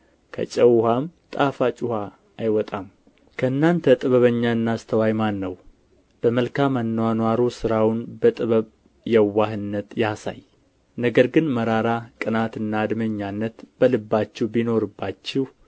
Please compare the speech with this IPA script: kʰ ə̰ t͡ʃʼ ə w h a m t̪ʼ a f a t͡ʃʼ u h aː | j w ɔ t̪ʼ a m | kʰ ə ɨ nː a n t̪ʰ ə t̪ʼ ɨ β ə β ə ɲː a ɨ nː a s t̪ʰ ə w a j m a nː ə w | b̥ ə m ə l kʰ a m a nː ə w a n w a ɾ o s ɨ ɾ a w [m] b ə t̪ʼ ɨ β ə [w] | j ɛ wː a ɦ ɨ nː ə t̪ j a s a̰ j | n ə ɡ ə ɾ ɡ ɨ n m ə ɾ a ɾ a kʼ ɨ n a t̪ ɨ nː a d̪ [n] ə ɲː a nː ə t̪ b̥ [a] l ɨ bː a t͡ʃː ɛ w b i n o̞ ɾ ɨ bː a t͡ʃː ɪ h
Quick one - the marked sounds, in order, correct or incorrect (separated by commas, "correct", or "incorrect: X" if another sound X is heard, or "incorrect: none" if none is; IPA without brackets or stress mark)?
incorrect: n, incorrect: β, incorrect: m, incorrect: ə